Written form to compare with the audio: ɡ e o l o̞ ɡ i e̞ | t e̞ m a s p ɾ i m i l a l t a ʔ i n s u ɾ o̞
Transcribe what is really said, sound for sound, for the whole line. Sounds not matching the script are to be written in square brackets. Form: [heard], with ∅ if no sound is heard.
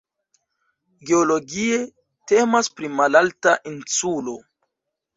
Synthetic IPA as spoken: ɡ e o l o̞ ɡ i e̞ | t e̞ m a s p ɾ i m [a] l a l t a ʔ i n s u [l] o̞

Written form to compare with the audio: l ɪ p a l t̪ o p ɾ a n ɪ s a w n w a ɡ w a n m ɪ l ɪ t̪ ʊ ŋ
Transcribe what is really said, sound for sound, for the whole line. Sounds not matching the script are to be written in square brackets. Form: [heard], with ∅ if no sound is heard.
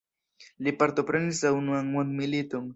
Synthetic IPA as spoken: l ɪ p a [ɾ] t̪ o p ɾ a n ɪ s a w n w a [ŋ] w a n m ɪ l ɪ t̪ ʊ ŋ

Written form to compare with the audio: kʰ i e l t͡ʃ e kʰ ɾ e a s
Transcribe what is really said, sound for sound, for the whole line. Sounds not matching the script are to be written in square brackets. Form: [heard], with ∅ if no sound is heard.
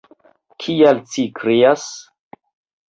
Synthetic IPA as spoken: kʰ i [a] l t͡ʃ [i] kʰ ɾ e a s

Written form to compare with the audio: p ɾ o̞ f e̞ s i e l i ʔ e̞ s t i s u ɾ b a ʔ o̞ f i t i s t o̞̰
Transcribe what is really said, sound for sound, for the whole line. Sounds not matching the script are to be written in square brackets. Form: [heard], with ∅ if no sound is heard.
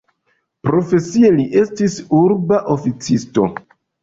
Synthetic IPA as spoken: p ɾ o̞ f e̞ s i e l i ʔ e̞ s t i s u ɾ b a ʔ o̞ f i [t͡s] i s t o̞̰

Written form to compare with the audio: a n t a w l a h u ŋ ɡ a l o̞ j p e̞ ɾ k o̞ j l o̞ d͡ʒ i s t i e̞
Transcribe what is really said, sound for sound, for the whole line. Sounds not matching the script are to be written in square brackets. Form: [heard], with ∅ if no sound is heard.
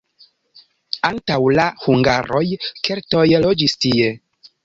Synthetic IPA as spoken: a n t a w l a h u ŋ ɡ a [ɾ] o̞ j [k] e̞ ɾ [t] o̞ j l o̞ d͡ʒ i s t i e̞

